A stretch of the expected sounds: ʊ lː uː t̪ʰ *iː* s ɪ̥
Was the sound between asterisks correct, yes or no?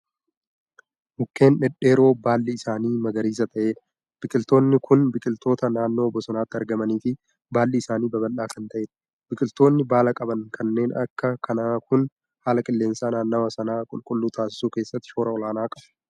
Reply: no